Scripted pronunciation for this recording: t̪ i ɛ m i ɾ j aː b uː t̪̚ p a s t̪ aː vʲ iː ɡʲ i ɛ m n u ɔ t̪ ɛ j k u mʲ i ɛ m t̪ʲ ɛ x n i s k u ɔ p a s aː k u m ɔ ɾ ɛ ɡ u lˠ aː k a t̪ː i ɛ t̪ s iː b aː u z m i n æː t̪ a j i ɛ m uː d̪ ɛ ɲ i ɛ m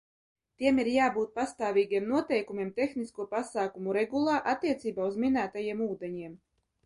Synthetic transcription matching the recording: t̪ i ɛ m i ɾ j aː b uː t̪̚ p a s t̪ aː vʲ iː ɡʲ i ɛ m n u ɔ t̪ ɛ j k u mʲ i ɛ m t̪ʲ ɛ x n i s k u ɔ p a s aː k u m u ɾ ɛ ɡ u lˠ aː ʔ a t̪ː i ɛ t̪ s iː b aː u z m i n æː t̪ a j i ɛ m uː d̪ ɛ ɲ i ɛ m